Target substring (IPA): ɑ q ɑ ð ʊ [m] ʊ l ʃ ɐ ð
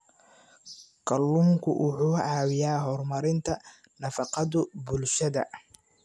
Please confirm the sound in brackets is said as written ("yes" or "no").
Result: no